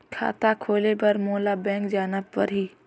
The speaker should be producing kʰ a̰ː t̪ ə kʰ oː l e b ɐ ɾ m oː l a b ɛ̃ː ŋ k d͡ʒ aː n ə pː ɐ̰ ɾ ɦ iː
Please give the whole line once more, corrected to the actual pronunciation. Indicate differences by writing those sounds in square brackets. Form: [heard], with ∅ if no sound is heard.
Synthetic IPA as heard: kʰ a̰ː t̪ [a] kʰ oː l e b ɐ ɾ m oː l a b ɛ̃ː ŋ k d͡ʒ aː n ə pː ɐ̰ ɾ ɦ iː